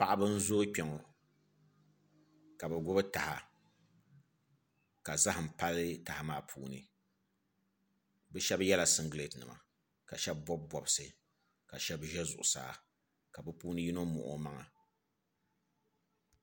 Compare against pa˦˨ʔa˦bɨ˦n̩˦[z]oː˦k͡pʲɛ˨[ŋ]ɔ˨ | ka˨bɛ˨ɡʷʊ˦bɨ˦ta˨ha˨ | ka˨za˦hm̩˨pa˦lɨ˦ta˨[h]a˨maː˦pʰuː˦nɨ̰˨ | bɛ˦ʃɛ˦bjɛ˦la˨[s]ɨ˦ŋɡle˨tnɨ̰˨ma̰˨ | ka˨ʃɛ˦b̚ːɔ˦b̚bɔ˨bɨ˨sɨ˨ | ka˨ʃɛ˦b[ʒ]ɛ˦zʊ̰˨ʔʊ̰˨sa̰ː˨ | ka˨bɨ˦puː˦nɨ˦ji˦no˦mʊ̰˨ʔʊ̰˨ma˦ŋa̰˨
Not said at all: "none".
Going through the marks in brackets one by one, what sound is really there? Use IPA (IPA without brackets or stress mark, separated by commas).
z, ŋ, h, s, ʒ